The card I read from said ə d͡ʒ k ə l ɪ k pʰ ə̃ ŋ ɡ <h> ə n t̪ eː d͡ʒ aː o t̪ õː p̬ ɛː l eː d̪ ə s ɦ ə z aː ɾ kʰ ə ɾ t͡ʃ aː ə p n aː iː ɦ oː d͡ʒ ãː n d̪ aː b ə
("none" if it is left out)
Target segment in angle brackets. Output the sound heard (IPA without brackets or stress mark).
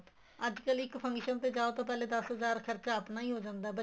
ʃ